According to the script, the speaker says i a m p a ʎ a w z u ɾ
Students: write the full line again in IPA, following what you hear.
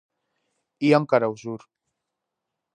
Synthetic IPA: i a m k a ɾ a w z u ɾ